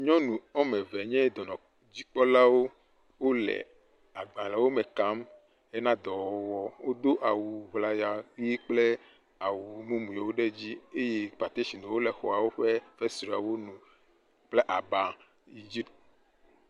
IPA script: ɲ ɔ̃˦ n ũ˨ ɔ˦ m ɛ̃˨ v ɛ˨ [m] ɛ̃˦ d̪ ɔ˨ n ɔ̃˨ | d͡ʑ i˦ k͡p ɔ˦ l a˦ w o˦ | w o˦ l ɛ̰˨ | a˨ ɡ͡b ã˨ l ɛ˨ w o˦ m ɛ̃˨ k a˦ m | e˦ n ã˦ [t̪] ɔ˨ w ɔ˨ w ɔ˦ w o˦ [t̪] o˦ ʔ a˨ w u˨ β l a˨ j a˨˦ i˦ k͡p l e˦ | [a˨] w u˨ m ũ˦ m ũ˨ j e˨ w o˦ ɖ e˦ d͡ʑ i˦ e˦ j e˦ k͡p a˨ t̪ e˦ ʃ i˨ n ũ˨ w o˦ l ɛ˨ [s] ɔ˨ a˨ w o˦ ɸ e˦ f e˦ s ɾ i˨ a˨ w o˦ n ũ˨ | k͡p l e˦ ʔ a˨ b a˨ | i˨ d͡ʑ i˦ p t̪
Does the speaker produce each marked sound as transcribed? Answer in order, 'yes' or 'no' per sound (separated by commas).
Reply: no, no, no, yes, no